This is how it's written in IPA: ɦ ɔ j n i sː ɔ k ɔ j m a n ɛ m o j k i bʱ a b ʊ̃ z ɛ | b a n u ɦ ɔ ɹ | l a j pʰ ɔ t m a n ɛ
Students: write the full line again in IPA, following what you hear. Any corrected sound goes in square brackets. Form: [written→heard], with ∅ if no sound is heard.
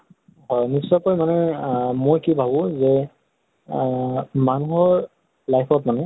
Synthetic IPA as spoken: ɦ ɔ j n i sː ɔ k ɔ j m a n ɛ m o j k i bʱ a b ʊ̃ z ɛ | [b→m] a n u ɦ ɔ ɹ | l a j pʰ ɔ t m a n ɛ